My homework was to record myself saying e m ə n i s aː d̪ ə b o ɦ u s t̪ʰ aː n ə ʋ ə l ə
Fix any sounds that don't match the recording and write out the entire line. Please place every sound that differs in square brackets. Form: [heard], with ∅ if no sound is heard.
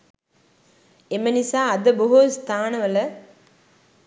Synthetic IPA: e m ə n i s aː d̪ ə b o ɦ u s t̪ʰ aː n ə ʋ ə l ə